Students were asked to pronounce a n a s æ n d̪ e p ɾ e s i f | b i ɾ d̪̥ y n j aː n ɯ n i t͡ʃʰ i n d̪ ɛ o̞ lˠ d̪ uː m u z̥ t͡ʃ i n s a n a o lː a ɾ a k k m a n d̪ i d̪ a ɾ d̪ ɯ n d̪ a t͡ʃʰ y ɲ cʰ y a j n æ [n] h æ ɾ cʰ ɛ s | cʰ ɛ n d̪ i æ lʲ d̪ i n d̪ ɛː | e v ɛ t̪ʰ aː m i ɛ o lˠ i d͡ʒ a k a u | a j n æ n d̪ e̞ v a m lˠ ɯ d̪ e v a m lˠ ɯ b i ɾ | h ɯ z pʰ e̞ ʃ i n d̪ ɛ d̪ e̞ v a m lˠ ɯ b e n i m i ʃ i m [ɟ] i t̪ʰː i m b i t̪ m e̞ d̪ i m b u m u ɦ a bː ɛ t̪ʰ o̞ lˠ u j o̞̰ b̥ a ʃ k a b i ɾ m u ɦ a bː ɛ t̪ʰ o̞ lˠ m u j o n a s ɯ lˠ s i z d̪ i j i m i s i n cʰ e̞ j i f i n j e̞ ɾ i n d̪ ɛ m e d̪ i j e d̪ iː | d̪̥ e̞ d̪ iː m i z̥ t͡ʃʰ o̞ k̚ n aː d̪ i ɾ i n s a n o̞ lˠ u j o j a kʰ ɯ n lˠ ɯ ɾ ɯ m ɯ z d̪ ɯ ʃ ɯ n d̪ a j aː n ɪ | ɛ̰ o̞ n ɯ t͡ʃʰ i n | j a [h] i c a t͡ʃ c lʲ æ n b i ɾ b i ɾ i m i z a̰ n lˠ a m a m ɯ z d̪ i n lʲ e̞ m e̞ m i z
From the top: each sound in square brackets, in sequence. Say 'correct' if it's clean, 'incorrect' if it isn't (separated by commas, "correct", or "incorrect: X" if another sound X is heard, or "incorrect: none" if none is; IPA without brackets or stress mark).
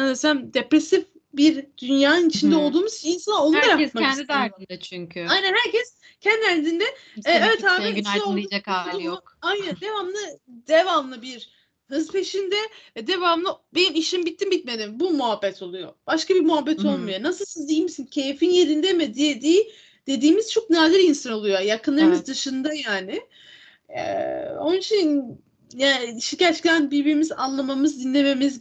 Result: correct, incorrect: b, incorrect: ʃ